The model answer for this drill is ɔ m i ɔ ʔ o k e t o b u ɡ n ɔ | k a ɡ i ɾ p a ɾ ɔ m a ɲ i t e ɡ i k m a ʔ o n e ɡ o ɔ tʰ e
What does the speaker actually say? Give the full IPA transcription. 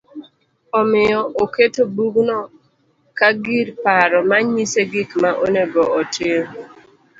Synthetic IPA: ɔ m ɪ ɔ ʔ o k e t o b u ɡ n ɔ | k a ɡ i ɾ p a ɾ ɔ m a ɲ i s e ɡ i k m a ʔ o n e ɡ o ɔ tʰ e